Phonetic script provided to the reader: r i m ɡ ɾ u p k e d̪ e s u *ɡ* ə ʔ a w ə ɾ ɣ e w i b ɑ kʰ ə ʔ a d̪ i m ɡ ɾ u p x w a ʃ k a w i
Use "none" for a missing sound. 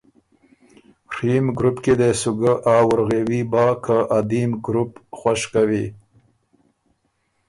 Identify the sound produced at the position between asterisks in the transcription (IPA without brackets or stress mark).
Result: ɡ